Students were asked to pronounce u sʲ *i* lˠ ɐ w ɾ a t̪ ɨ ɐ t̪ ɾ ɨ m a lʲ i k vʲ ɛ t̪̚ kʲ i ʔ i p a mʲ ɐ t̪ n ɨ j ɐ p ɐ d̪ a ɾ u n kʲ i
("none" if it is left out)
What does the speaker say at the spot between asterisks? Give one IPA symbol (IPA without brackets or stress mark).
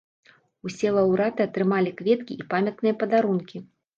ɛ